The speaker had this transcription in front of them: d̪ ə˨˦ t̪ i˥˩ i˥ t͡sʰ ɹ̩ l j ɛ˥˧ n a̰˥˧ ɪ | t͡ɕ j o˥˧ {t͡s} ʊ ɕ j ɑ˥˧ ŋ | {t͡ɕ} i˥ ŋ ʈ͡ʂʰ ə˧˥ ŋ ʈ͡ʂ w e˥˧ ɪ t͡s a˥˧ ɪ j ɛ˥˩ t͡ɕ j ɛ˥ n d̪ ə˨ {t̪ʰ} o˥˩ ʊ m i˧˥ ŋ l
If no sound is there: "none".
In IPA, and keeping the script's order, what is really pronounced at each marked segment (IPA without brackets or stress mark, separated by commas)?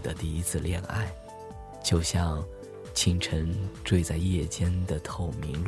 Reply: none, t͡ɕʰ, t̪ʰ